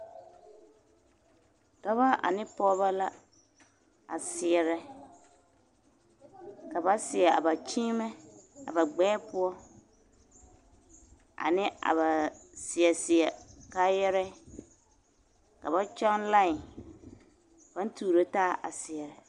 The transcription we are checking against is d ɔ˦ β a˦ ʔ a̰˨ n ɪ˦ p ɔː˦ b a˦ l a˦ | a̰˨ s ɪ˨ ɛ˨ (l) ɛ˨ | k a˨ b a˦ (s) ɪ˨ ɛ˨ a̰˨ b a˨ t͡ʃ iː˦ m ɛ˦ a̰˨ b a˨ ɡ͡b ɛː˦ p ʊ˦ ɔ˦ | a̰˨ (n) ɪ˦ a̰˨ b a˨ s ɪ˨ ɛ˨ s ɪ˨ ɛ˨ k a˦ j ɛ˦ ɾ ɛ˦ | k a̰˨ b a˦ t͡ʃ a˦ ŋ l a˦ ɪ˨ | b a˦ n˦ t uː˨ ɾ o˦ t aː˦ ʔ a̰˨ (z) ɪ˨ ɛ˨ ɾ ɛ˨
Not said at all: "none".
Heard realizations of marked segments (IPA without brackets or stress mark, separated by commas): ɾ, s, n, s